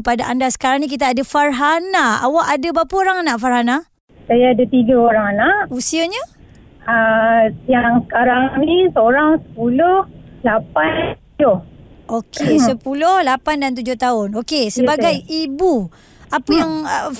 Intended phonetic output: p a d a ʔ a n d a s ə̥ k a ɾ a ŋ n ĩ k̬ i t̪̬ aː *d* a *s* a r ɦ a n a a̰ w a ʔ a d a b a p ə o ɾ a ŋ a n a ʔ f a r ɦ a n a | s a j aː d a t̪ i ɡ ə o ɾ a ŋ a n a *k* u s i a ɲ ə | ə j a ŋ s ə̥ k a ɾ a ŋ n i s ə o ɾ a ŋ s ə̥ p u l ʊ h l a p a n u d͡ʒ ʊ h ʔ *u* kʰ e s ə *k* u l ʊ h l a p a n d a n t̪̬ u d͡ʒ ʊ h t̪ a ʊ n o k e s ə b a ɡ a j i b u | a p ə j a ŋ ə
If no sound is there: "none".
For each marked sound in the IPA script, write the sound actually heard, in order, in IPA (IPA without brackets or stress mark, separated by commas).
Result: d, f, ʔ, o, p